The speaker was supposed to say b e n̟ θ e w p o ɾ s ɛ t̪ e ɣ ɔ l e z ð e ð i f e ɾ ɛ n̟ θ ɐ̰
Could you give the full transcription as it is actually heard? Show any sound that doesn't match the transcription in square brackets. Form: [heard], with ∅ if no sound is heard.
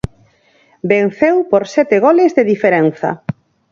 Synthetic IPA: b e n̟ θ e w p o ɾ s ɛ t̪ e ɣ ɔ l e z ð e ð i f e ɾ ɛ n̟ θ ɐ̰